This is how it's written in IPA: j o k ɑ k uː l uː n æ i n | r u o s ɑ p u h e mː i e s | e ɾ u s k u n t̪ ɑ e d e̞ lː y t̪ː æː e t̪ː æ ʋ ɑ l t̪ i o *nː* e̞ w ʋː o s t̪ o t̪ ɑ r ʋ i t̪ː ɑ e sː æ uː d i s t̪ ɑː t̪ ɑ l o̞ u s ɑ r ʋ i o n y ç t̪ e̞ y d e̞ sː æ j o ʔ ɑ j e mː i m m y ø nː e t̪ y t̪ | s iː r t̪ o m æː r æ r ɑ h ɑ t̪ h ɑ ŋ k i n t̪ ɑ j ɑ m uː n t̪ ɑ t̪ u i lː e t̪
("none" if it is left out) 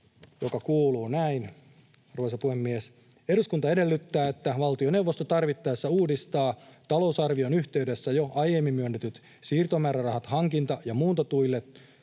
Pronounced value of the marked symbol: n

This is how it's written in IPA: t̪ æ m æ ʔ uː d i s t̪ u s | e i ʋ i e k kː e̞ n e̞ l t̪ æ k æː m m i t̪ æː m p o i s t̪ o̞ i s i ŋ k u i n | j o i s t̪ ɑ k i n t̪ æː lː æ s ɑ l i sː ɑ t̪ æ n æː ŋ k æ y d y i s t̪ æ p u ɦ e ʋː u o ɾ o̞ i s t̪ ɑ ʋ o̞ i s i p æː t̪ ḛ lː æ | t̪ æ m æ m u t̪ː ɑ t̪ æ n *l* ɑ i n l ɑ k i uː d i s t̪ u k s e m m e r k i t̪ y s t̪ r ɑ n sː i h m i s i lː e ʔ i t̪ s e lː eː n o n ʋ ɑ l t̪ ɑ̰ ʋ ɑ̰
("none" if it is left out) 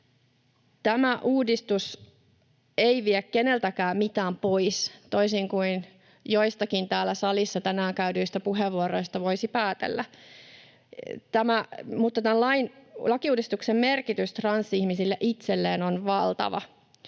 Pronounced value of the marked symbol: l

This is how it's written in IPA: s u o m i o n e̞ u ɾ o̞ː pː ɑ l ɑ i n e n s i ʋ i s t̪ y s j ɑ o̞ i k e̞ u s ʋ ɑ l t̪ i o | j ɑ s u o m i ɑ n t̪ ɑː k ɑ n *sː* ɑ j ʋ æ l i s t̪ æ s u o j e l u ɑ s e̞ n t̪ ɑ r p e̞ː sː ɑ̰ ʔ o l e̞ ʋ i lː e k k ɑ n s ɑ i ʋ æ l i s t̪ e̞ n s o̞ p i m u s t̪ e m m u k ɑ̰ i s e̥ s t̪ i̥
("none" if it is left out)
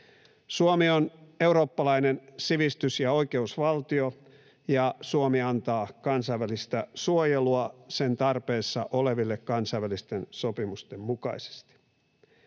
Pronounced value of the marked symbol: s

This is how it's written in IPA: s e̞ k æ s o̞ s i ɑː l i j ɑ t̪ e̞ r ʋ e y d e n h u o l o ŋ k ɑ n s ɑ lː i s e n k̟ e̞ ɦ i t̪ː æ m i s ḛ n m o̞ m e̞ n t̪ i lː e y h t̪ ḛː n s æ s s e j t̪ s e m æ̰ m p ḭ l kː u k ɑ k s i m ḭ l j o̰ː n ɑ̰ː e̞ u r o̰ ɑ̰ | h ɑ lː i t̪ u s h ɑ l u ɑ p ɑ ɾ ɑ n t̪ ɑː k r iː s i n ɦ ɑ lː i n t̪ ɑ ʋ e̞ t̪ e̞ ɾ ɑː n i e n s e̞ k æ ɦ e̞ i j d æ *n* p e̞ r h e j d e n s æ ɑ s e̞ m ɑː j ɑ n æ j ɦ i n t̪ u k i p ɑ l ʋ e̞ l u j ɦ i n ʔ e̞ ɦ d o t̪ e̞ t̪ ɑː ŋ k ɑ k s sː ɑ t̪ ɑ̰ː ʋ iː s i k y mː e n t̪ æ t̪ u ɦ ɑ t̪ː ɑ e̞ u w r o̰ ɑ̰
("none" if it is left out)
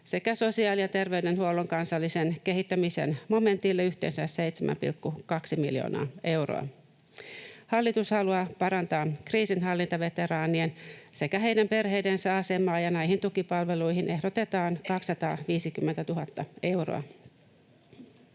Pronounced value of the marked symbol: m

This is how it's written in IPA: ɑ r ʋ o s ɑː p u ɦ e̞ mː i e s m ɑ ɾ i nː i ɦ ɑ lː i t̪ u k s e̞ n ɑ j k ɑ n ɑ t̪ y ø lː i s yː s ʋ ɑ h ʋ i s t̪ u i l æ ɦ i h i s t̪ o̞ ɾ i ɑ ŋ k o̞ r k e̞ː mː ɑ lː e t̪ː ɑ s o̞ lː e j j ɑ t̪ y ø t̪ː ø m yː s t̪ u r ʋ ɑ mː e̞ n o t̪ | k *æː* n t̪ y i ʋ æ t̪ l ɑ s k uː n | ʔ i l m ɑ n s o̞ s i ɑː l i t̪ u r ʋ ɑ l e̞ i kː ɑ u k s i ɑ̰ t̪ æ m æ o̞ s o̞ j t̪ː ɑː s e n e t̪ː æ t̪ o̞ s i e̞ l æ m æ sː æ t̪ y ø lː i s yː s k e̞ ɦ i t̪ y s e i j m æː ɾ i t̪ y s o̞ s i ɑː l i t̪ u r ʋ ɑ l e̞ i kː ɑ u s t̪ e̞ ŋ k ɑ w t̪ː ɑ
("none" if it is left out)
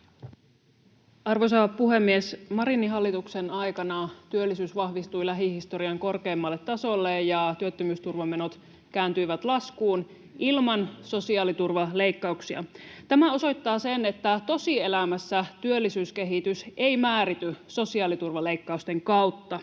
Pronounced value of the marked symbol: æː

